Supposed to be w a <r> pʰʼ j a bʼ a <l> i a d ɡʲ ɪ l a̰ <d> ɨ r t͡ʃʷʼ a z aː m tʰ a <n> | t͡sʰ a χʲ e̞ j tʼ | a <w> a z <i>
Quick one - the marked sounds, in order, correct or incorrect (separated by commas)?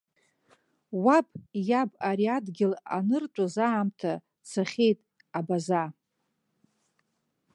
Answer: incorrect, incorrect, incorrect, incorrect, incorrect, incorrect